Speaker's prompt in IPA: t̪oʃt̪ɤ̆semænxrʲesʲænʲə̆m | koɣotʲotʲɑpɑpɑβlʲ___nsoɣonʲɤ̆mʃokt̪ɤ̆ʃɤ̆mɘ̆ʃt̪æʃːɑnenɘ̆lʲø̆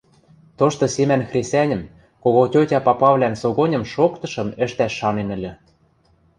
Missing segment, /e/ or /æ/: æ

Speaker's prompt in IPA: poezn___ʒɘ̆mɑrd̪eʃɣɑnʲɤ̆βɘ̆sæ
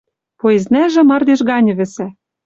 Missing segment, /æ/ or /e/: æ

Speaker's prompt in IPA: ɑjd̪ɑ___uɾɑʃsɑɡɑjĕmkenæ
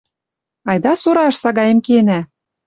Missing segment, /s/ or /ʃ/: s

